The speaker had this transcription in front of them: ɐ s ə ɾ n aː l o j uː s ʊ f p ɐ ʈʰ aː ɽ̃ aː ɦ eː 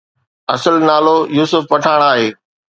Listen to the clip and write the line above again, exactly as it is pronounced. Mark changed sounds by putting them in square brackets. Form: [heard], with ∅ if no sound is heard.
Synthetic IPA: ɐ s ə [l] n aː l o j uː s ʊ f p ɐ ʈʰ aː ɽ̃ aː ɦ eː